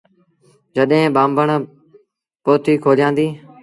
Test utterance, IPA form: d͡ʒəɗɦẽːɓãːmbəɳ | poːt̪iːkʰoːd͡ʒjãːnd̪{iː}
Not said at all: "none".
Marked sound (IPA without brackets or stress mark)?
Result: iː